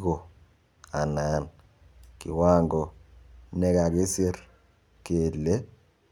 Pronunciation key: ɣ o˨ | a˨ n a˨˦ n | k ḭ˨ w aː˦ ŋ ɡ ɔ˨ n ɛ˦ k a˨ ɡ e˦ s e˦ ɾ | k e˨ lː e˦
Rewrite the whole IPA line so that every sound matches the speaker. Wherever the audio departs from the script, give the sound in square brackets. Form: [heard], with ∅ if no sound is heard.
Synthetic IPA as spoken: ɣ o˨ | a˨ n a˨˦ n | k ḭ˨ w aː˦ ŋ ɡ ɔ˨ n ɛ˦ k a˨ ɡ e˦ s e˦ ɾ | k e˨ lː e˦